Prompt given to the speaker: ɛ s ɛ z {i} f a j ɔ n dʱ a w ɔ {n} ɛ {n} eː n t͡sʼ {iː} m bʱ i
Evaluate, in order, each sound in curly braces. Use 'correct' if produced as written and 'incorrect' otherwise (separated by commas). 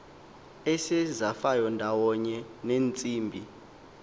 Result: incorrect, incorrect, correct, correct